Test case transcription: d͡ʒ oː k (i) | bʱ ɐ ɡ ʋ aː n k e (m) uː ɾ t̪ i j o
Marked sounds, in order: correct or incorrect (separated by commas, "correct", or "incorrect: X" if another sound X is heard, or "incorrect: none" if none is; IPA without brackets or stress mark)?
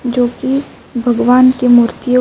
correct, correct